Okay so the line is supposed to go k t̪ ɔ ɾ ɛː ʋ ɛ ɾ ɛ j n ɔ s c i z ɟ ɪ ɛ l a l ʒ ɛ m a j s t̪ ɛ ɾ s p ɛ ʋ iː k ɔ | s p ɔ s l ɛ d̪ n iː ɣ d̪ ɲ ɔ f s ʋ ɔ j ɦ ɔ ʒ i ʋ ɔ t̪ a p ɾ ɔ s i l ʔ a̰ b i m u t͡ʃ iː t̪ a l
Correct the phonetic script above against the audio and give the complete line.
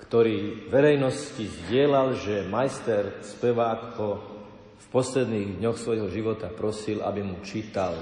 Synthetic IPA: k t̪ ɔ ɾ iː ʋ ɛ ɾ ɛ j n ɔ s c i z ɟ ɪ ɛ l a l ʒ ɛ m a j s t̪ ɛ ɾ s p ɛ ʋ aː k ɔ | f p ɔ s l ɛ d̪ n iː ɣ d̪ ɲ ɔ x s ʋ ɔ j ɦ ɔ ʒ i ʋ ɔ t̪ a p ɾ ɔ s i l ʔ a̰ b i m u t͡ʃ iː t̪ a l